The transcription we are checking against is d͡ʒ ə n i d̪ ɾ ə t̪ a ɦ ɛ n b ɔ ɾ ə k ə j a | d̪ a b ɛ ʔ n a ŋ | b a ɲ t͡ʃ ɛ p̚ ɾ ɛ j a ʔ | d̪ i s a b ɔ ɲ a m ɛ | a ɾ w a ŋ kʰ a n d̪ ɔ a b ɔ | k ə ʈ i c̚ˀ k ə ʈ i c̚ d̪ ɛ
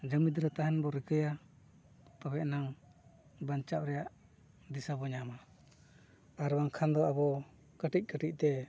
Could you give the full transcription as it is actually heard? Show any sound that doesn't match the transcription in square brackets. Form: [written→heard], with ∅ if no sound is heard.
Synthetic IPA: d͡ʒ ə [n→m] i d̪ ɾ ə t̪ a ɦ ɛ n b ɔ ɾ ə k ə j a | [d̪→t̪] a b ɛ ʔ n a ŋ | b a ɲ t͡ʃ [ɛ→a] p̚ ɾ ɛ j a ʔ | d̪ i s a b ɔ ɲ a m [ɛ→a] | a ɾ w a ŋ kʰ a n d̪ ɔ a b ɔ | k ə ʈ i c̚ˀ k ə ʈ i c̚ [d̪→t̪] ɛ